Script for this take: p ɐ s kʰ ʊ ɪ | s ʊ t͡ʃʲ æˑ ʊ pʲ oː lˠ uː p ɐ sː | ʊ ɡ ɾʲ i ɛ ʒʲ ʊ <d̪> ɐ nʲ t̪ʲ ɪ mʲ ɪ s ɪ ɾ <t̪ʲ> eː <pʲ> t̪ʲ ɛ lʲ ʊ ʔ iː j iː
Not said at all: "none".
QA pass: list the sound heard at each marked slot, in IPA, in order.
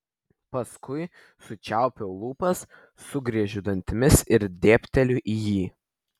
d̪, d̪ʲ, pʲ

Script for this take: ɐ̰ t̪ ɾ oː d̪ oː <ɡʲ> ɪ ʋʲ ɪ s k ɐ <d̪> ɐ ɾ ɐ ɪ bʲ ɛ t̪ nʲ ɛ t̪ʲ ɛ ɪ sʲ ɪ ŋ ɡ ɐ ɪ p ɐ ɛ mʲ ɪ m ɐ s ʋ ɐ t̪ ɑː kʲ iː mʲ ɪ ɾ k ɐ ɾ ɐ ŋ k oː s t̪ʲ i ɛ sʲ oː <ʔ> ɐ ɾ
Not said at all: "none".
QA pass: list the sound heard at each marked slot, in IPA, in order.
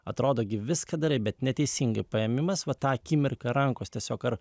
ɡʲ, d̪, k

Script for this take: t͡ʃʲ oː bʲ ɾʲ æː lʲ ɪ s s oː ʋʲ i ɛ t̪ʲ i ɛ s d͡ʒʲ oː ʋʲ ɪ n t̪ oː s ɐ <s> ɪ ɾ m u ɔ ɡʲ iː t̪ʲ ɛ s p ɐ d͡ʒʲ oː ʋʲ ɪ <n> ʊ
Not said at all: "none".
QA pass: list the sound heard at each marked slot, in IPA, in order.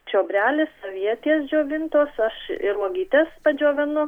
ʃ, n

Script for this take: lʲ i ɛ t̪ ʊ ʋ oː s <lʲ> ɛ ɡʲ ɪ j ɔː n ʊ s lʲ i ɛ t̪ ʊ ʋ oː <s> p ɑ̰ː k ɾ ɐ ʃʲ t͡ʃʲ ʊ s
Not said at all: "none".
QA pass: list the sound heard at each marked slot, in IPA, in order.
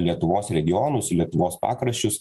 ɾʲ, s

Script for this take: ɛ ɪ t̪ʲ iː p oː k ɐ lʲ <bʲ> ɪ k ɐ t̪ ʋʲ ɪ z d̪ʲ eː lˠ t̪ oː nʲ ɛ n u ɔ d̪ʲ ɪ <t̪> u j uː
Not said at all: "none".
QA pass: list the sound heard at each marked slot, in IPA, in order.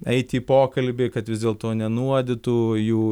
bʲ, t̪

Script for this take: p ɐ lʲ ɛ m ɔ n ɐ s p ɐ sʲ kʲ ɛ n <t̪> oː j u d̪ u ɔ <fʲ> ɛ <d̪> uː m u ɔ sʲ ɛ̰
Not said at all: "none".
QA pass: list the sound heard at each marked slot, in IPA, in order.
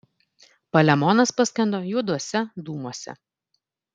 d̪, sʲ, d̪

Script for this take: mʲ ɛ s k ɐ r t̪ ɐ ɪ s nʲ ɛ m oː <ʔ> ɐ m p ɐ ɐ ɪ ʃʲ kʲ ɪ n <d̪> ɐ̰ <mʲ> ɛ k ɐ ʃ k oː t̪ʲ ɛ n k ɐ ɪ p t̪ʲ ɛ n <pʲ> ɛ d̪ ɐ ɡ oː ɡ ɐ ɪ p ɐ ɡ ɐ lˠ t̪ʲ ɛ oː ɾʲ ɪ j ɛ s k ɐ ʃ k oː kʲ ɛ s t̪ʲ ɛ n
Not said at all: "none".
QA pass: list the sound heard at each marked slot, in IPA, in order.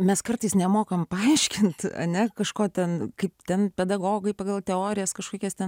k, t̪, nʲ, pʲ

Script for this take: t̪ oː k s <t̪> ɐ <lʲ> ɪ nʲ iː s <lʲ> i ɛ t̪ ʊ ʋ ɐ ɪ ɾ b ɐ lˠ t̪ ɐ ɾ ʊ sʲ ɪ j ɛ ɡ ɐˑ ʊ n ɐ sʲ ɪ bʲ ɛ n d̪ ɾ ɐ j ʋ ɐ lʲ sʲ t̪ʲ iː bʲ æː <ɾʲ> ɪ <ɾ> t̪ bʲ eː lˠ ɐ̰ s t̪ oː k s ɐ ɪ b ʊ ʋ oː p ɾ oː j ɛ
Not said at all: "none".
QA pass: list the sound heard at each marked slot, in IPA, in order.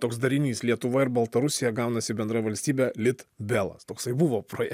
d̪, ɾʲ, lʲ, lʲ, none

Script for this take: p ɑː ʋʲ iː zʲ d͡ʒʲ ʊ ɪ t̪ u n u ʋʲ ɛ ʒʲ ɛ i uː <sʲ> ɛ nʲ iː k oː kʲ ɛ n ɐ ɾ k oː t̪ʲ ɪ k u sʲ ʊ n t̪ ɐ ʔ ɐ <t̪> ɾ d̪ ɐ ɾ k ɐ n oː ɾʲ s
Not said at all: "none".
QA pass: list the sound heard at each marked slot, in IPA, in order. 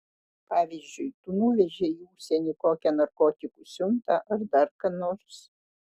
sʲ, none

